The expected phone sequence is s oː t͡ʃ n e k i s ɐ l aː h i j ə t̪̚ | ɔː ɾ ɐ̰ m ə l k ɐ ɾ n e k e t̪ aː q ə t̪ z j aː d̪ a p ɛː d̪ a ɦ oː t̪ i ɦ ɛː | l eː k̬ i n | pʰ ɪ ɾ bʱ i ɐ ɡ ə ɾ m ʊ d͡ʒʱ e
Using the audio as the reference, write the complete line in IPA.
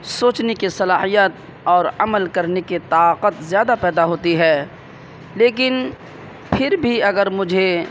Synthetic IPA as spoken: s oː t͡ʃ n e k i s ɐ l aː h i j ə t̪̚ | ɔː ɾ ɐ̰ m ə l k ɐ ɾ n e k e t̪ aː q ə t̪ z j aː d̪ a p ɛː d̪ a ɦ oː t̪ i ɦ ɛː | l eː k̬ ɪ n | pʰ ɪ ɾ bʱ i ɐ ɡ ə ɾ m ʊ d͡ʒʱ e